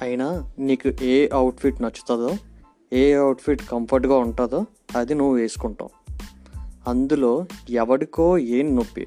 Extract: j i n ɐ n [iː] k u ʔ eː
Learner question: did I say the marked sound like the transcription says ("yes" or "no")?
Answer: yes